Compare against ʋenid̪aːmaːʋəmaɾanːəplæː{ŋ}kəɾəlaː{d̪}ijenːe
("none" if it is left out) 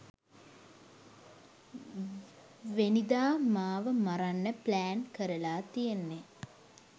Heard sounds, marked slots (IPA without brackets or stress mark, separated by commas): n, t̪